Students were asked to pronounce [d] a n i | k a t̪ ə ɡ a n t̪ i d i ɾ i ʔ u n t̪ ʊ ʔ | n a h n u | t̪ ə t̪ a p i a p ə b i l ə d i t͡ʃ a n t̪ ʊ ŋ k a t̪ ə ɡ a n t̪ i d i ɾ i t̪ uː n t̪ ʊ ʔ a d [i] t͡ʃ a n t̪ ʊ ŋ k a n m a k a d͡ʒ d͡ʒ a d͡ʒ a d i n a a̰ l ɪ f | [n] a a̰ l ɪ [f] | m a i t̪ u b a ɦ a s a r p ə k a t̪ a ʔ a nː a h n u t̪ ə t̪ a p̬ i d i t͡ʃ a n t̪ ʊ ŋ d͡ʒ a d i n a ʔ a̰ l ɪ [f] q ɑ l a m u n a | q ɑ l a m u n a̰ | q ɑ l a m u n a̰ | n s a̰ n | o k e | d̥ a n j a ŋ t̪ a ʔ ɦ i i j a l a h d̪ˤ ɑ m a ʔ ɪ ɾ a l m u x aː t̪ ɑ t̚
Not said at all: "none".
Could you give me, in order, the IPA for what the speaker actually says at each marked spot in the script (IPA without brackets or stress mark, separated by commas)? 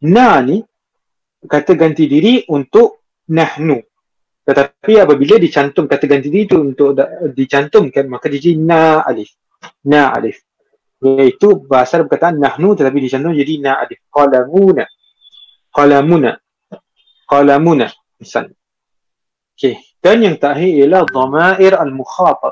n, i, n, f, f